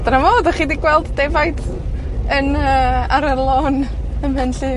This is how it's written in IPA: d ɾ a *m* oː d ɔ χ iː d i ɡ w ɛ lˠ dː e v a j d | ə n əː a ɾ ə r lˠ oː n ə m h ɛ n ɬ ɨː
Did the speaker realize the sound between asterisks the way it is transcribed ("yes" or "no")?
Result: yes